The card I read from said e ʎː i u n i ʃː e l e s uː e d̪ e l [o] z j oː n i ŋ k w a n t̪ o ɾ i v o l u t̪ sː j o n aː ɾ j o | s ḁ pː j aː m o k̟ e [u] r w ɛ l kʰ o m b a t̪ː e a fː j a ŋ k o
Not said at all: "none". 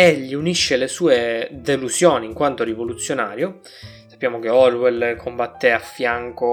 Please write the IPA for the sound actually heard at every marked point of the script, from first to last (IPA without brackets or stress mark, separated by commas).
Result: u, ɔ